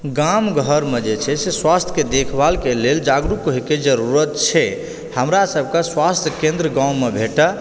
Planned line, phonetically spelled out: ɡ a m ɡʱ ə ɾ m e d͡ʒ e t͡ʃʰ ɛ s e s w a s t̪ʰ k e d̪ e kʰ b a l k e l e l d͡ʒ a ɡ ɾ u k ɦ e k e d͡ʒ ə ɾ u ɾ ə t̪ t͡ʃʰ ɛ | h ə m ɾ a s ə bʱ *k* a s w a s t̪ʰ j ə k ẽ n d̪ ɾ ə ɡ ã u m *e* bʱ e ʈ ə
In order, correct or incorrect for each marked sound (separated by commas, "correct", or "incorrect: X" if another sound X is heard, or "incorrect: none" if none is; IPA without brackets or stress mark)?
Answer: correct, correct